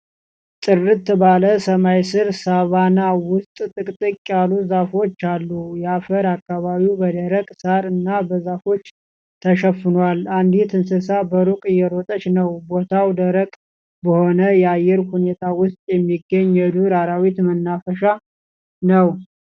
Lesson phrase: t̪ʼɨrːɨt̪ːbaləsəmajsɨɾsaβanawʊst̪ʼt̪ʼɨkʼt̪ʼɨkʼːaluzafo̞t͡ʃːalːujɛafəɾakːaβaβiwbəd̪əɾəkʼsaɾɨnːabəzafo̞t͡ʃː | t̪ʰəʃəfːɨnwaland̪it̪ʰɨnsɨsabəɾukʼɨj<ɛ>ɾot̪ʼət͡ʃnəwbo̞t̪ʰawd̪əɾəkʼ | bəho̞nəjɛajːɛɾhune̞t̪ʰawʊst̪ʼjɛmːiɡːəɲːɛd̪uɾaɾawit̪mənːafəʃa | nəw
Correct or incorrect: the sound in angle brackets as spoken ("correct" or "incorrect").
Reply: correct